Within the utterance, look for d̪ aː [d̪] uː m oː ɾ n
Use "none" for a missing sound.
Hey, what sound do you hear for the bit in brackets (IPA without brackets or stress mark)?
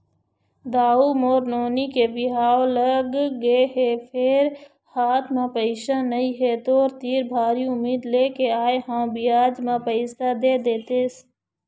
none